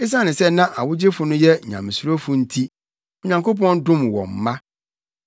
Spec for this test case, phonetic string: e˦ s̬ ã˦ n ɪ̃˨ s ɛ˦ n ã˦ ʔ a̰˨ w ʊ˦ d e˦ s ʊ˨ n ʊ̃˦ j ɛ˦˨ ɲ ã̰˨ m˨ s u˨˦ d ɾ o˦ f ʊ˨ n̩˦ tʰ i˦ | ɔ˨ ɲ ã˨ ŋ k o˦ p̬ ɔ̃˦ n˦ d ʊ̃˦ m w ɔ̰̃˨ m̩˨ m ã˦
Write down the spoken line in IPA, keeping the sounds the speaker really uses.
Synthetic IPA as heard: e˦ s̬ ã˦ n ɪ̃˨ s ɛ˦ n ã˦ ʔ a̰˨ w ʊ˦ d͡ʑ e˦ f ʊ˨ n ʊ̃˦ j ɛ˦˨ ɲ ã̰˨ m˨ s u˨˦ ɾ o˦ f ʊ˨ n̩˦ tʰ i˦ | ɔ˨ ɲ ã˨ ŋ k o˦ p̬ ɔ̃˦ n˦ d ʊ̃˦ m w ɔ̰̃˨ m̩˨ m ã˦